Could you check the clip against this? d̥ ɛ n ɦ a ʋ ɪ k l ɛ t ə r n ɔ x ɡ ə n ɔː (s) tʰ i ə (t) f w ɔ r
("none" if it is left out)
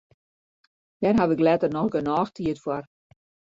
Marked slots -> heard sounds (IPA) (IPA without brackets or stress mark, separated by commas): x, t